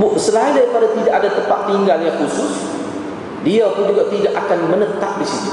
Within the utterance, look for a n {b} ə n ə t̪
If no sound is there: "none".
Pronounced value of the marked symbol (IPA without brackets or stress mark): m